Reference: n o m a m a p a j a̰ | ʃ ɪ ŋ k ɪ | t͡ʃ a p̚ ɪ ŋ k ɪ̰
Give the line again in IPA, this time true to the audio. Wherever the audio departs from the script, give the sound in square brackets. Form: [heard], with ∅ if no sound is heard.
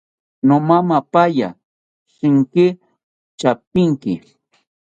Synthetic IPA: n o m a m a p a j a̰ | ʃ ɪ ŋ k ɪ | t͡ʃ a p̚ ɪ ŋ k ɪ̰